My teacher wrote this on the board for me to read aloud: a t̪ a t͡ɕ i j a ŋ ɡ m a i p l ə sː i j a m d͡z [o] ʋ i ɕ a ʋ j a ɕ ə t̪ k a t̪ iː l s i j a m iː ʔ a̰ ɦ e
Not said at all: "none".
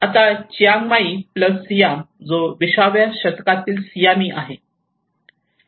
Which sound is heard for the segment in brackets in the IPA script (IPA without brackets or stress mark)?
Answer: o